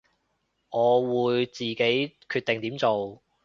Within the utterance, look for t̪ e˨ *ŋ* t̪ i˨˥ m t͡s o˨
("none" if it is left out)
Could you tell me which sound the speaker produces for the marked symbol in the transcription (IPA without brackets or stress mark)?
ŋ